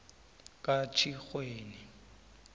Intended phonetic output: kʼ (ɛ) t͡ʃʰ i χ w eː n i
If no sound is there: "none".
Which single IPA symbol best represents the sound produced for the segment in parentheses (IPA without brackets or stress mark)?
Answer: a